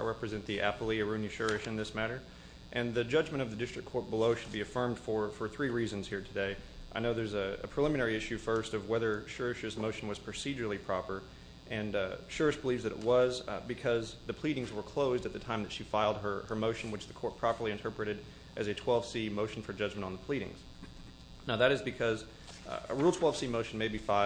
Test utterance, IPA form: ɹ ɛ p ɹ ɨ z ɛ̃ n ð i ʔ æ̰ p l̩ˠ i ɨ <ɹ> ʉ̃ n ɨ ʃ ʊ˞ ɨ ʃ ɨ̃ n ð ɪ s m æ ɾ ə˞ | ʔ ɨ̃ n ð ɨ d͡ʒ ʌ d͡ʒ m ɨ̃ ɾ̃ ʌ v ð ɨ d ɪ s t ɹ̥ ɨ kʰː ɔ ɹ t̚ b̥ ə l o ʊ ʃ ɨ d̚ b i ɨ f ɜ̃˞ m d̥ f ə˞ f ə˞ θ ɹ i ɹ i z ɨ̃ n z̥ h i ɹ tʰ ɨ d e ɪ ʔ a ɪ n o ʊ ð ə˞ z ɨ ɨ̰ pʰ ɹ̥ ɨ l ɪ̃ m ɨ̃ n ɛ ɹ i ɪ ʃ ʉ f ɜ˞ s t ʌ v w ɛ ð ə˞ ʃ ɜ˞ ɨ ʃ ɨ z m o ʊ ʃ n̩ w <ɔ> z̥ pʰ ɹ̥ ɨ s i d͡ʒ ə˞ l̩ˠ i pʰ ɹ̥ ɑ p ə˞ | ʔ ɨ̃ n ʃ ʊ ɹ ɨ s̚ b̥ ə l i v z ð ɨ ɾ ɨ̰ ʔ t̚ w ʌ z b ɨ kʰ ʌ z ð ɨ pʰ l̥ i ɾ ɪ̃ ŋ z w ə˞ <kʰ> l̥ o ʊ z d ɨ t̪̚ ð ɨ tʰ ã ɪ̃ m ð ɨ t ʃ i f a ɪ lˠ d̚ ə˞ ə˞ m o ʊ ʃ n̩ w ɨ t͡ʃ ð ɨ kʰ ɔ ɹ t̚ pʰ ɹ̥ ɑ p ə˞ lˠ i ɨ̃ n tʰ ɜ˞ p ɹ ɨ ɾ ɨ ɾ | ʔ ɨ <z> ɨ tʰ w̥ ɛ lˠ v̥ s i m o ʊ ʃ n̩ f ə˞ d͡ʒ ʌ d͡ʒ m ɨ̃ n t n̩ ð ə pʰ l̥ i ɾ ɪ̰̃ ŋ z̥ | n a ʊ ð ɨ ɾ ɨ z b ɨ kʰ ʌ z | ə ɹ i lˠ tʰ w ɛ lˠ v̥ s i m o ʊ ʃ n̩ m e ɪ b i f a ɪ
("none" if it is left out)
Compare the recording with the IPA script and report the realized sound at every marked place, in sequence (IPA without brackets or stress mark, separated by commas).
ɹ, ʌ, kʰ, z